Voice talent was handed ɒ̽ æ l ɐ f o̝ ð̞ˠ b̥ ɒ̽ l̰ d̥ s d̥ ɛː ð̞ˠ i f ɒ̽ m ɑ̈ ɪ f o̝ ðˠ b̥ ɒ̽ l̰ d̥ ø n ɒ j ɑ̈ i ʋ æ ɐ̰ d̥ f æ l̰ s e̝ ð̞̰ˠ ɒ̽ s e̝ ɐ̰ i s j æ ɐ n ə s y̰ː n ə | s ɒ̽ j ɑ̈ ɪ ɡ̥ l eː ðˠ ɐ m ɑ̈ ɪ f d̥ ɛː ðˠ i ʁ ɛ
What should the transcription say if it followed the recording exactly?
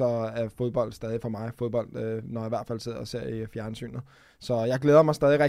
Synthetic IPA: ɒ̽ æ ɐ f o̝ ð̞ˠ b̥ ɒ̽ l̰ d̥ s d̥ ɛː ð̞ˠ i f ɒ̽ m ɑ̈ ɪ f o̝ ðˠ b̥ ɒ̽ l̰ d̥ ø n ɒ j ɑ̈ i ʋ æ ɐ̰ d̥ f æ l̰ s e̝ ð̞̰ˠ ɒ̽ s e̝ ɐ̰ i f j æ ɐ n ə s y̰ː n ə | s ɒ̽ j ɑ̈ ɪ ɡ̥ l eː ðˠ ɐ m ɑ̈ ɪ s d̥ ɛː ðˠ i ʁ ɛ